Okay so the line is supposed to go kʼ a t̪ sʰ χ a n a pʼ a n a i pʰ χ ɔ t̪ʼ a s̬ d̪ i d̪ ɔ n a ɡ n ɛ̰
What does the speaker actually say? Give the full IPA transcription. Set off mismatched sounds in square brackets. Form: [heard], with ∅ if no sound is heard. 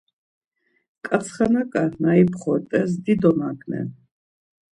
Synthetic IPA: kʼ a t̪ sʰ χ a n a [kʼ] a n a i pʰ χ ɔ t̪ʼ [ɛ] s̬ d̪ i d̪ ɔ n a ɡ n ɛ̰

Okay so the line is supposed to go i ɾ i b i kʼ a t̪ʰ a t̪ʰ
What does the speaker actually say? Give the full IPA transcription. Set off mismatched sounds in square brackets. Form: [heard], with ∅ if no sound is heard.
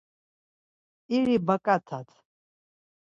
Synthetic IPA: i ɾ i b [a] kʼ a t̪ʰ a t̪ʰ

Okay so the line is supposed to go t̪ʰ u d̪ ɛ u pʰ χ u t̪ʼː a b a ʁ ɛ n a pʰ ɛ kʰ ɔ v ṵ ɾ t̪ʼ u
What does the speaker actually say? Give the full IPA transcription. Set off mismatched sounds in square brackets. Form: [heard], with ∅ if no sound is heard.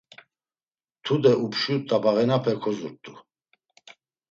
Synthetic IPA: t̪ʰ u d̪ ɛ u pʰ [ʃ] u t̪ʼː a b a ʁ ɛ n a pʰ ɛ kʰ ɔ [z] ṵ ɾ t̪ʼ u

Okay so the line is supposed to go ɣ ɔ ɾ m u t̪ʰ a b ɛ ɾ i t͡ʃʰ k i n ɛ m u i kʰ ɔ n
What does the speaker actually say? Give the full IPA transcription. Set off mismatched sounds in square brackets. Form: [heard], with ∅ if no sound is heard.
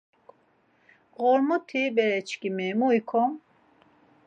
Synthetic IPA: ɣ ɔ ɾ m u t̪ʰ [i] b ɛ ɾ [ɛ] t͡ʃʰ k i [m] ɛ m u i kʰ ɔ [m]

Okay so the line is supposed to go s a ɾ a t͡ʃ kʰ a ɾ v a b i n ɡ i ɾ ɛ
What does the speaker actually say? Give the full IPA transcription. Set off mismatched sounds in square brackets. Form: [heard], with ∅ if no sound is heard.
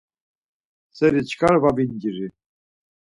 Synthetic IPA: s [ɛ] ɾ [i] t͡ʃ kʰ a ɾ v a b i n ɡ i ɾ [i]

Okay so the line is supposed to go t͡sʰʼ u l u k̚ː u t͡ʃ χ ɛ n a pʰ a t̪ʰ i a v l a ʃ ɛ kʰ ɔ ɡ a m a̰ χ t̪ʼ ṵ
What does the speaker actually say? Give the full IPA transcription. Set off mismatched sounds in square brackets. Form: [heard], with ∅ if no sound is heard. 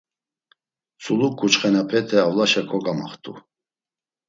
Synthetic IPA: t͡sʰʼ u l u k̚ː u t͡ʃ χ ɛ n a pʰ [ɛ] t̪ʰ [ɛ] a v l a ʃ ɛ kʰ ɔ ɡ a m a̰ χ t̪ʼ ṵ

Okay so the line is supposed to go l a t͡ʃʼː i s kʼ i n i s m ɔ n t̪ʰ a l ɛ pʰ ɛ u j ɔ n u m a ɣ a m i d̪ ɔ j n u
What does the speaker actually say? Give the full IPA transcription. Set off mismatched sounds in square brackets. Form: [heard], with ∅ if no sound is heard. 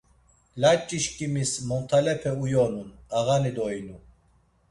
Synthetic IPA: l a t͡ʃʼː i [ʃ] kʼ i [m] i s m ɔ n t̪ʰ a l ɛ pʰ ɛ u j ɔ n u [n] a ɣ a [n] i d̪ ɔ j n u

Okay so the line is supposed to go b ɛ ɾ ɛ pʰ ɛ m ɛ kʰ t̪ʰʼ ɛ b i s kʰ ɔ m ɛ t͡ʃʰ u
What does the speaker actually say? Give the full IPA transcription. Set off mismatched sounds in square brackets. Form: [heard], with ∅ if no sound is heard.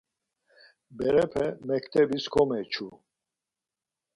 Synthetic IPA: b ɛ ɾ ɛ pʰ ɛ m ɛ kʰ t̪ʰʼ ɛ b i s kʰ ɔ m ɛ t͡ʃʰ u

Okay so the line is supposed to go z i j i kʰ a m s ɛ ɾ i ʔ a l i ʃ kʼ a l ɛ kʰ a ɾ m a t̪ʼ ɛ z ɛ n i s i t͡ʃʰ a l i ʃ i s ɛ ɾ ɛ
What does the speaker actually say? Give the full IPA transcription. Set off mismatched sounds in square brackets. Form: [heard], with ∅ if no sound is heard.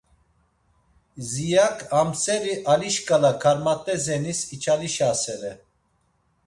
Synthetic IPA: z i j [a] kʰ a m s ɛ ɾ i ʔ a l i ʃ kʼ a l [a] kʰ a ɾ m a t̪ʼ ɛ z ɛ n i s i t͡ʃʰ a l i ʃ [a] s ɛ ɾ ɛ

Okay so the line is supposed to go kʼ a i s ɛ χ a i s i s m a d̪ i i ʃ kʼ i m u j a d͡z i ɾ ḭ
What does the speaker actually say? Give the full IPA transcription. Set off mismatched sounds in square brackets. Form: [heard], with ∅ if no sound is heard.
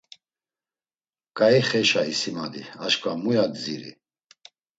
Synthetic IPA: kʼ a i [χ] ɛ [ʃ] a i s i [∅] m a d̪ i [a] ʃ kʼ [a] m u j a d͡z i ɾ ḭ

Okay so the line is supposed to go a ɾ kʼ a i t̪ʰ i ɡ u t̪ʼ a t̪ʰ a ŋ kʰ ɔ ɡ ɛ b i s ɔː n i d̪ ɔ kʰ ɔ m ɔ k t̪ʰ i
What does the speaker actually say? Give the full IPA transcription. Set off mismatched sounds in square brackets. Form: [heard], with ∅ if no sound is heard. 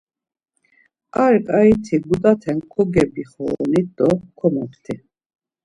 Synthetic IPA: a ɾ kʼ a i t̪ʰ i ɡ u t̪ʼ a t̪ʰ [ɛ] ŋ kʰ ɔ ɡ ɛ b i [χ] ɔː n i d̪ ɔ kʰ ɔ m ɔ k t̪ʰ i

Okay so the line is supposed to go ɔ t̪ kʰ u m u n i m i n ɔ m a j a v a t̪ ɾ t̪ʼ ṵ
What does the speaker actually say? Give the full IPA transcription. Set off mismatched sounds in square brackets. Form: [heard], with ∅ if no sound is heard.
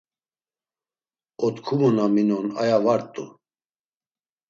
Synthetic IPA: ɔ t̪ kʰ u m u n [a] m i n ɔ [n] a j a v a [∅] ɾ t̪ʼ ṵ

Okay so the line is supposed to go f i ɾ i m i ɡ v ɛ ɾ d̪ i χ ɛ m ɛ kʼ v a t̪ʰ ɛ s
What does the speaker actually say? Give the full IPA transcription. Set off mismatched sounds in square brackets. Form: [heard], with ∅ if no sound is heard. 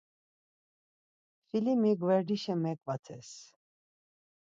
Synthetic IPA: f i [l] i m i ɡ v ɛ ɾ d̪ i [ʃ] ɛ m ɛ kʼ v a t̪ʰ ɛ s

